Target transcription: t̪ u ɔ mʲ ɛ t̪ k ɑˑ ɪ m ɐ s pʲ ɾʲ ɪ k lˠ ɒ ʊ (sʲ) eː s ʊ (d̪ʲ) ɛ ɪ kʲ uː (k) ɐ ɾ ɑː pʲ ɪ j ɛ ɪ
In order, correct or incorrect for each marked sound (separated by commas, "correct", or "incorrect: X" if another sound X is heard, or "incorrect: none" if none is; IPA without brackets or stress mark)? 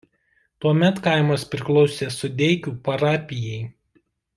correct, correct, incorrect: p